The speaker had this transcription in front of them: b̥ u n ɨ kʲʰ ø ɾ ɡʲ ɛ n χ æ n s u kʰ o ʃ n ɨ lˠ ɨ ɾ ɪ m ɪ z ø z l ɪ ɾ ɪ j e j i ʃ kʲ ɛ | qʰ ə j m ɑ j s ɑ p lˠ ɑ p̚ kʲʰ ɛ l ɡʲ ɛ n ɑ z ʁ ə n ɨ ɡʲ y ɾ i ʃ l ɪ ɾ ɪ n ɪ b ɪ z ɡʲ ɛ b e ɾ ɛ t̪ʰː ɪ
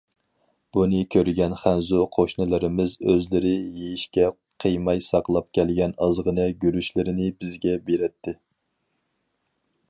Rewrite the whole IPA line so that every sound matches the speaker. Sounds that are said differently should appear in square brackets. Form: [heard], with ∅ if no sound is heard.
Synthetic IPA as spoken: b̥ u n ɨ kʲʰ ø ɾ ɡʲ ɛ n χ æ n [z] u [qʰ] o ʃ n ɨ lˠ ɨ ɾ ɪ m ɪ z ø z l ɪ ɾ ɪ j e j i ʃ kʲ ɛ | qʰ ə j m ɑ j s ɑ [q] lˠ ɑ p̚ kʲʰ ɛ l ɡʲ ɛ n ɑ z ʁ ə n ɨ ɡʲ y ɾ [y] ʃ l ɪ ɾ ɪ n ɪ b ɪ z ɡʲ ɛ b e ɾ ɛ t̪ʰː ɪ